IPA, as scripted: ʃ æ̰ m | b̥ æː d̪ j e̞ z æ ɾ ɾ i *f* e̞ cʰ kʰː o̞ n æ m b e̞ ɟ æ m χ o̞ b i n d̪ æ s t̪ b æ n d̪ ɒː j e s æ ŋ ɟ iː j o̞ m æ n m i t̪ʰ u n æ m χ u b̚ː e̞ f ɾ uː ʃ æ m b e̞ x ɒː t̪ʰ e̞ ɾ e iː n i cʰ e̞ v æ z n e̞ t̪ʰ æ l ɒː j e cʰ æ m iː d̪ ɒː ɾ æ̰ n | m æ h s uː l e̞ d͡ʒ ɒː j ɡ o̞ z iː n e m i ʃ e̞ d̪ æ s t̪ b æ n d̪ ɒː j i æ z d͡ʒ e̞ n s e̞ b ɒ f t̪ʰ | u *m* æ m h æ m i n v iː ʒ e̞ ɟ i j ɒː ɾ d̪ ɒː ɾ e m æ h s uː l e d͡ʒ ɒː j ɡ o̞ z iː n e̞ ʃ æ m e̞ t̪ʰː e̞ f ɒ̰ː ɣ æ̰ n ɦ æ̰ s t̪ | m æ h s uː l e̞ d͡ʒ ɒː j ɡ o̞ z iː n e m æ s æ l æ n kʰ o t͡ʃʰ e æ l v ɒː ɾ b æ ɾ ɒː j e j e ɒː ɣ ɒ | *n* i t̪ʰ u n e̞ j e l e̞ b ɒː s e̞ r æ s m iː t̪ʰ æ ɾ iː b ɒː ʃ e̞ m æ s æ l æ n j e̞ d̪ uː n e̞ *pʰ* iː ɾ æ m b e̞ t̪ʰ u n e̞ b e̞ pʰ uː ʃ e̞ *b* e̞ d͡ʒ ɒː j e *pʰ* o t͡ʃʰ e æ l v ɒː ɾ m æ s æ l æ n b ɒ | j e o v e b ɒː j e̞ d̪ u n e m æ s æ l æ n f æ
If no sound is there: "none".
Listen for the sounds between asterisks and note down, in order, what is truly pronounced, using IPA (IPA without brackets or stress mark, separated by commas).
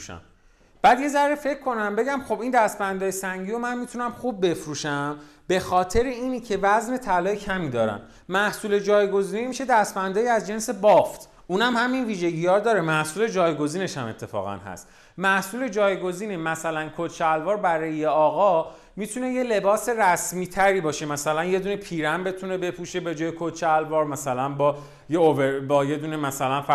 f, n, m, pʰ, b, kʰ